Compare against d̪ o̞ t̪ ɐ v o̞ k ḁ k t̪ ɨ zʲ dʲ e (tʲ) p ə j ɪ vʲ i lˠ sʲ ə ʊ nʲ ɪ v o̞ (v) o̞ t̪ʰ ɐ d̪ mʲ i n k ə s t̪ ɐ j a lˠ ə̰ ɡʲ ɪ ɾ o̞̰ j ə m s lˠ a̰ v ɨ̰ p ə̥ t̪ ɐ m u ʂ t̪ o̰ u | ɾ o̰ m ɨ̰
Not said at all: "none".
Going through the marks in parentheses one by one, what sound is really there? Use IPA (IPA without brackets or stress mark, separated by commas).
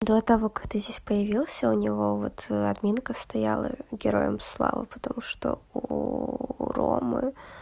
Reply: sʲ, v